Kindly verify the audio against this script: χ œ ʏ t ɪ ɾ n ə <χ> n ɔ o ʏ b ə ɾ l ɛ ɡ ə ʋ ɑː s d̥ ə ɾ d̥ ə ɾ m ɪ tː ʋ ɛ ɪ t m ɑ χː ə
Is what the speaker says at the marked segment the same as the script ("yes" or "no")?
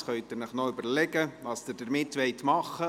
yes